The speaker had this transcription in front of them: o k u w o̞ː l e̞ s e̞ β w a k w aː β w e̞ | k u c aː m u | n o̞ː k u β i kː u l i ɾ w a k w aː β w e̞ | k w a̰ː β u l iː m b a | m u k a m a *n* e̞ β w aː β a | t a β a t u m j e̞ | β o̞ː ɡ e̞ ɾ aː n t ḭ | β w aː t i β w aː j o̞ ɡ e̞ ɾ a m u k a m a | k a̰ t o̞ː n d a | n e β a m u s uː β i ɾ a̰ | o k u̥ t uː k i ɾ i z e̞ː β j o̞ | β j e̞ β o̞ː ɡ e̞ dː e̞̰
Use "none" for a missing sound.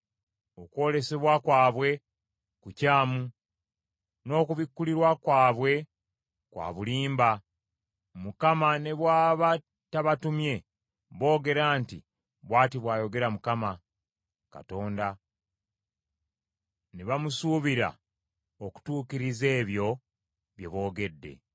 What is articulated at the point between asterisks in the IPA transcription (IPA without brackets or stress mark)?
n